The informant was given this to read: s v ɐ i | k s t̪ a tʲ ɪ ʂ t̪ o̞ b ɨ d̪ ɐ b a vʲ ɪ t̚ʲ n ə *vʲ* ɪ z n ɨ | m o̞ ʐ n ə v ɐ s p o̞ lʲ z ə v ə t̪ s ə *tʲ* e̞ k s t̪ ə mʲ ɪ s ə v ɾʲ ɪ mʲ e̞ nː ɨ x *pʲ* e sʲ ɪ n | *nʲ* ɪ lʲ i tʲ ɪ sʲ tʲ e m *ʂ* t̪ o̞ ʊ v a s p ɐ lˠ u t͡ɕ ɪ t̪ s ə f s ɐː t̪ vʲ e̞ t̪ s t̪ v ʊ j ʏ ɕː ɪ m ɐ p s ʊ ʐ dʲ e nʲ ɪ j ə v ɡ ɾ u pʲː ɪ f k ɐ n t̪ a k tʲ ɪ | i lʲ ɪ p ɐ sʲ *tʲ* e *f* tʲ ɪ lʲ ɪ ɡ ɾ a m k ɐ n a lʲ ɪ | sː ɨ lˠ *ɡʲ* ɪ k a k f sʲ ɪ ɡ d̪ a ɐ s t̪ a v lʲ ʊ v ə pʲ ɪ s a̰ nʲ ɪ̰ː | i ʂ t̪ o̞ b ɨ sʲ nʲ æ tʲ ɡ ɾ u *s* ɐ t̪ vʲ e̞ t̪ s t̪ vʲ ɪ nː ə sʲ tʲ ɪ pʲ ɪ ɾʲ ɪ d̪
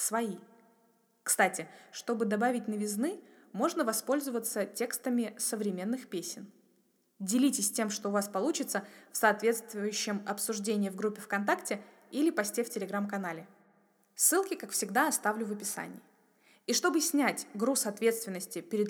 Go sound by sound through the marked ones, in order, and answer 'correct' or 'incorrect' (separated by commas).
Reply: correct, correct, correct, incorrect, correct, correct, correct, incorrect, correct